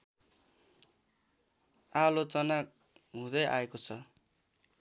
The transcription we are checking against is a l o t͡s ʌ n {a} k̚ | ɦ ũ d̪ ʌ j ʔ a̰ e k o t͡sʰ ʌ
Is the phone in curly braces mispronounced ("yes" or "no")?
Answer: no